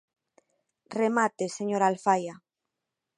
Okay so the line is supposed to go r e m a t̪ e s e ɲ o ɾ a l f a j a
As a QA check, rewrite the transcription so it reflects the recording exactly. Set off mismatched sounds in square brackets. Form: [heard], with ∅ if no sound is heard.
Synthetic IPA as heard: r e m a t̪ e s e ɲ o ɾ a l f a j a